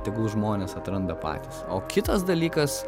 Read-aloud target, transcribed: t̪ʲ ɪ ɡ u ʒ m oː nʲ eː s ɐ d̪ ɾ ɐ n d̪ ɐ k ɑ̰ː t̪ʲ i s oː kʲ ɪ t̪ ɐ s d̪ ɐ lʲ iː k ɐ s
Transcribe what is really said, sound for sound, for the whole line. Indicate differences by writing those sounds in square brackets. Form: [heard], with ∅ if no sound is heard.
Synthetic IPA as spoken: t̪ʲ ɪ ɡ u ʒ m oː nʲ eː s ɐ [t̪] ɾ ɐ n d̪ ɐ [p] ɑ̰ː t̪ʲ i s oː kʲ ɪ t̪ ɐ s d̪ ɐ lʲ iː k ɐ s